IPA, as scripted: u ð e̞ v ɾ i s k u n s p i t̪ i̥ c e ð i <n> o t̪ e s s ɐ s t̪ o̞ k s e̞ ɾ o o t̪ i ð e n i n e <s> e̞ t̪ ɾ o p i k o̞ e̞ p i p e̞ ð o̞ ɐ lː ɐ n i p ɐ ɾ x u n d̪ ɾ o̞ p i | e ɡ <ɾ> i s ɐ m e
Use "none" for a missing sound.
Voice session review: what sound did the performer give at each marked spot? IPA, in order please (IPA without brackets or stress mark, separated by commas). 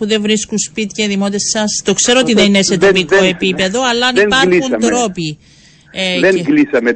m, s, l